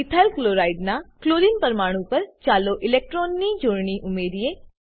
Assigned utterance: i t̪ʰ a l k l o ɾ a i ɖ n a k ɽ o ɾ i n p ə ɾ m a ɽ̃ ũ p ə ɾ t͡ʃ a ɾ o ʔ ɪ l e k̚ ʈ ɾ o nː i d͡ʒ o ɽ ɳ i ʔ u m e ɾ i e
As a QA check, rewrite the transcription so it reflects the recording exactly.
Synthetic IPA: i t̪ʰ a l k l o ɾ a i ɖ n a k l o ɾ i n p ə ɾ m a ɽ̃ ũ p ə ɾ t͡ʃ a l o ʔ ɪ l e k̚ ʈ ɾ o nː i d͡ʒ o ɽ ɳ i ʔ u m e ɾ i e